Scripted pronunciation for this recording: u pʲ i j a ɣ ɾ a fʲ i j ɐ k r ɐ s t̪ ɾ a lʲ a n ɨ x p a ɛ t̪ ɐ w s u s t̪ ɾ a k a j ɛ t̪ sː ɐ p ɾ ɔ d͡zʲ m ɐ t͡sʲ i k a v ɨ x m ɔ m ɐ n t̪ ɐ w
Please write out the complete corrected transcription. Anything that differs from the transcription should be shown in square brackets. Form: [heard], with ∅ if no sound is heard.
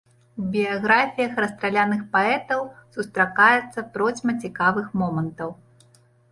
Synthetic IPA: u [bʲ] i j a ɣ ɾ a fʲ i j ɐ [x] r ɐ s t̪ ɾ a lʲ a n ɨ x p a ɛ t̪ ɐ w s u s t̪ ɾ a k a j ɛ t̪ sː ɐ p ɾ ɔ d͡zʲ m ɐ t͡sʲ i k a v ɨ x m ɔ m ɐ n t̪ ɐ w